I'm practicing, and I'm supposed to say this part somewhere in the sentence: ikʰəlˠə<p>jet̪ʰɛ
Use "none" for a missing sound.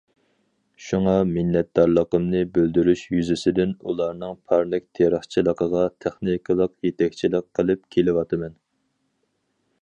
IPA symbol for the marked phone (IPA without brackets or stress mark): q